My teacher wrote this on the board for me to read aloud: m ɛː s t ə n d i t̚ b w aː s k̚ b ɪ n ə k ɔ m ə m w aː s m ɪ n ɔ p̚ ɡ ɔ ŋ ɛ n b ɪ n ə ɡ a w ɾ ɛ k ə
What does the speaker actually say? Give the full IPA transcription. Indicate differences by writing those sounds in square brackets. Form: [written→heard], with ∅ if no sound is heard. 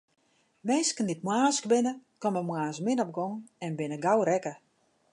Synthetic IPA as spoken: m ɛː s [t→k] ə n d i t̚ [b→m] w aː s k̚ b ɪ n ə k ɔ m ə m w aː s m ɪ n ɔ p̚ ɡ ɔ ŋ ɛ n b ɪ n ə ɡ a w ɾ ɛ k ə